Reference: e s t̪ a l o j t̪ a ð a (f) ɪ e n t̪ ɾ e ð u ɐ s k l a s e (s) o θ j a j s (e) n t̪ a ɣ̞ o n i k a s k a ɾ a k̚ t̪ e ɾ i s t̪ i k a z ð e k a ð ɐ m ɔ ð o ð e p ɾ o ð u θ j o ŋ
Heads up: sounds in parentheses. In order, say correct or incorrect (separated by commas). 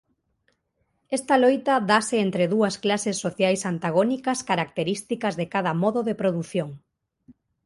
incorrect, incorrect, incorrect